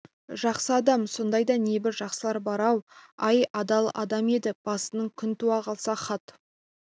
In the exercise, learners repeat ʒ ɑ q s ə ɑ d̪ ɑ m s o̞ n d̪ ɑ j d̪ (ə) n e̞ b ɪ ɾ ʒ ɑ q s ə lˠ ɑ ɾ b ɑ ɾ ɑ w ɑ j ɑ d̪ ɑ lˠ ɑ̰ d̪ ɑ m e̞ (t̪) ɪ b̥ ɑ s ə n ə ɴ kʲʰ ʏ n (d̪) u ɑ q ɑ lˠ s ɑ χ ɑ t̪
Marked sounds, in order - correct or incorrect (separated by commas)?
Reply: incorrect, incorrect, incorrect